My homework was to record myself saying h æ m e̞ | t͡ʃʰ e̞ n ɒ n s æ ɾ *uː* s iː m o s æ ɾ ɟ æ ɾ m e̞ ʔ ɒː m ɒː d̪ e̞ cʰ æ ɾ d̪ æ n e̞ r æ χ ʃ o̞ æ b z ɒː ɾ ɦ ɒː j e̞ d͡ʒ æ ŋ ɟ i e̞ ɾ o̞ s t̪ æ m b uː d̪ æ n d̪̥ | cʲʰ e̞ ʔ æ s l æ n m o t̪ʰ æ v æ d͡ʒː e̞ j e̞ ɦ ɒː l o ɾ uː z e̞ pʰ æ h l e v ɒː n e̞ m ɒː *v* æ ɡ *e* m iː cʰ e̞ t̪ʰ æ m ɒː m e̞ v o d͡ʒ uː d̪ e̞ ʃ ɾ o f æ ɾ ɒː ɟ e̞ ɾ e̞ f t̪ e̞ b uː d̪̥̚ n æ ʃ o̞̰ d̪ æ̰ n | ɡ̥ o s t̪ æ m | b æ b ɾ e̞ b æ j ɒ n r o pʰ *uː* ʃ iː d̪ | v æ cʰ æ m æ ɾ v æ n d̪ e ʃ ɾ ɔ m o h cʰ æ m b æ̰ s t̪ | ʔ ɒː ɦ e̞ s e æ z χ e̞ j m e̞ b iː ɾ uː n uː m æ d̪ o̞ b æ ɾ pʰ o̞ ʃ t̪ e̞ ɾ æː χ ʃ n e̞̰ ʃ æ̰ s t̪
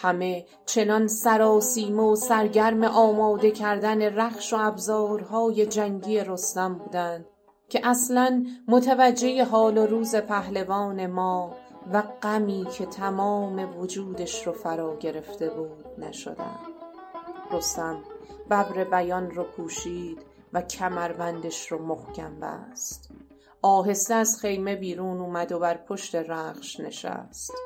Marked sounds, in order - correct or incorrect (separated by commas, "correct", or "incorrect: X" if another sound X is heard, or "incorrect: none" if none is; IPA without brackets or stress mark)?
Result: incorrect: ɒː, correct, incorrect: æ, correct